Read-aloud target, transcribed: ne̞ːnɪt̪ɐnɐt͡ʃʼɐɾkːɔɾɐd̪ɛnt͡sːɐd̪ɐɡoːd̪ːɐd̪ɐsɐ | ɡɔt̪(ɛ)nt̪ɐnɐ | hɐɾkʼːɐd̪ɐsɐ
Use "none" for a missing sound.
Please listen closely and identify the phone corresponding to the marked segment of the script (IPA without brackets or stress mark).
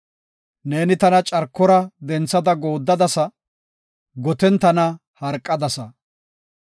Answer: ɛ